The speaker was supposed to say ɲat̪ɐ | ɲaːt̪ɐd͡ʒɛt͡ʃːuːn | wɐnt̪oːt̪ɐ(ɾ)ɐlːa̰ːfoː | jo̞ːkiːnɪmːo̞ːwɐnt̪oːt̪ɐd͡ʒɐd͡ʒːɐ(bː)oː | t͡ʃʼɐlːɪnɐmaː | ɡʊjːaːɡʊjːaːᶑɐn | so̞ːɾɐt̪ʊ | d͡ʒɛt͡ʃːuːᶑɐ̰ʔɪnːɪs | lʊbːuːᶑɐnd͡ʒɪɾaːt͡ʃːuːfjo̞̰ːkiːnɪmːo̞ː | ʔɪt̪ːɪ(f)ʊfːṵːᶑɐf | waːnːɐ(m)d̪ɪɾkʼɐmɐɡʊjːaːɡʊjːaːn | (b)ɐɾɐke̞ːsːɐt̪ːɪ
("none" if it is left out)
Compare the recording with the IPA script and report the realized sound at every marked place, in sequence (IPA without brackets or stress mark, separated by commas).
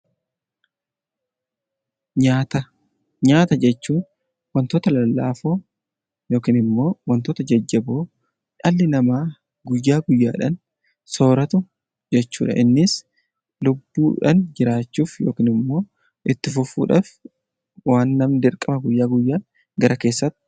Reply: l, b, f, m, ɡ